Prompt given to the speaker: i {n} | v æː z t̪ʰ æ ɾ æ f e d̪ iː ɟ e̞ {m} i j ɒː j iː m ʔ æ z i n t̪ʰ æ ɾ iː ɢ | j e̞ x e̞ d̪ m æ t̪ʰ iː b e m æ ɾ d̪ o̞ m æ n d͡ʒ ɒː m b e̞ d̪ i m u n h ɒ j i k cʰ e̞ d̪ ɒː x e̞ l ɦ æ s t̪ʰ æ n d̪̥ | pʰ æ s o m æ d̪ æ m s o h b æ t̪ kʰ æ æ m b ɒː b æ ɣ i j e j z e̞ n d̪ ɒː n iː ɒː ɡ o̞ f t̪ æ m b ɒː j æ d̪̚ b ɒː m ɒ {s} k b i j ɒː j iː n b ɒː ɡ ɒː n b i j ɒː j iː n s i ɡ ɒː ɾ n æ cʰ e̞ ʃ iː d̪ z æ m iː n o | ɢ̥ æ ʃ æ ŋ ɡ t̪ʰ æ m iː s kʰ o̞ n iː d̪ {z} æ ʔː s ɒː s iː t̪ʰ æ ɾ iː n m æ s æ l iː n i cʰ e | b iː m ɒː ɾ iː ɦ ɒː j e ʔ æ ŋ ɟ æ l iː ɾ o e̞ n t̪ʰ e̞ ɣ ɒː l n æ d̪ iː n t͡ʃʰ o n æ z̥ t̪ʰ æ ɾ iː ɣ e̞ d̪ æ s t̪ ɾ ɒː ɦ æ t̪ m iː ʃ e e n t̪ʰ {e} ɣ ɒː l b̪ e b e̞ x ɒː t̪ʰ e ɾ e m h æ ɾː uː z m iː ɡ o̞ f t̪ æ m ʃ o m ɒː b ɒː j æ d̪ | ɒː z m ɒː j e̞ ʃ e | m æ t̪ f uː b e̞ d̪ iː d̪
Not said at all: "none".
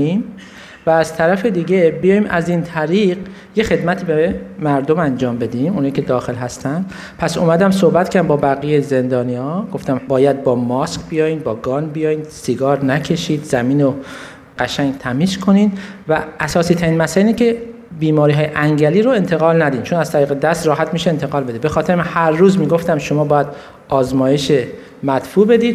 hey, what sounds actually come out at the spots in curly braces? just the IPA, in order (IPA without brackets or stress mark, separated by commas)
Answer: m, b, s, v, e